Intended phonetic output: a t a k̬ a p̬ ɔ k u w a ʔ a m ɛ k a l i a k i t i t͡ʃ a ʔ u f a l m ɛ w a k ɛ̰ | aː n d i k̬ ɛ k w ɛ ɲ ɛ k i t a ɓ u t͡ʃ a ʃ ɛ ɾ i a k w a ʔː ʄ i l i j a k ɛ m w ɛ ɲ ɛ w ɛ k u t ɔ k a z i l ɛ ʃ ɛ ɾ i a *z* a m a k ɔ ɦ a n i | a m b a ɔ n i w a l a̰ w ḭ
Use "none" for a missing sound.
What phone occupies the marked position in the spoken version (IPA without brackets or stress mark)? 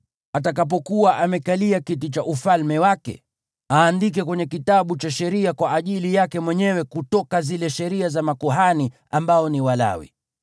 z